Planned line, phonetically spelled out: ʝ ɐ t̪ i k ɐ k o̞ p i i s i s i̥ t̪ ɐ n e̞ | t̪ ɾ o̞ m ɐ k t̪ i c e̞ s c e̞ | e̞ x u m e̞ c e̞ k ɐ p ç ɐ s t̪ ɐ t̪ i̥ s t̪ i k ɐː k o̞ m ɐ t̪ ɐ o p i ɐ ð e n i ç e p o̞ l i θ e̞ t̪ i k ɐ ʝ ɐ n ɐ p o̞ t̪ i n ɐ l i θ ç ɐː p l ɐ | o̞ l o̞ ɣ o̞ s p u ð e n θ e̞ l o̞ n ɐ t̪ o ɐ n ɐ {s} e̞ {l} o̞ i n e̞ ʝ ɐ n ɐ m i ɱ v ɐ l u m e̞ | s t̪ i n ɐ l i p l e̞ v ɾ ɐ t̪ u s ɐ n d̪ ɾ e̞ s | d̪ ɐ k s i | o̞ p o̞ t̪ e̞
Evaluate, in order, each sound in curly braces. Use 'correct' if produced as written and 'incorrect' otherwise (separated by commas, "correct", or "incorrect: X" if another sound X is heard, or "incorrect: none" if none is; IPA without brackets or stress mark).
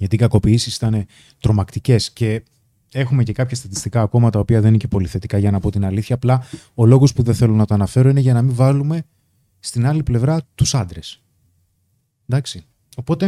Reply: incorrect: f, incorrect: ɾ